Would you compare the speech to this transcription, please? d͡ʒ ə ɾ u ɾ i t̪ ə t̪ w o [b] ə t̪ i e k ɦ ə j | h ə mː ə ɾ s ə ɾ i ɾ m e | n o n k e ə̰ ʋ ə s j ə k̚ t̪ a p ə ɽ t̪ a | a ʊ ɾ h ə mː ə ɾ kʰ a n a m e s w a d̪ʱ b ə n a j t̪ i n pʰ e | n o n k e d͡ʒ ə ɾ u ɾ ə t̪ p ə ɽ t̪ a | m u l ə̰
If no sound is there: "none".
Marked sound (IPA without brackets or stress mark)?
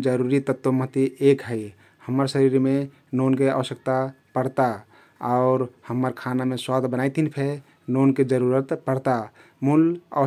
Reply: m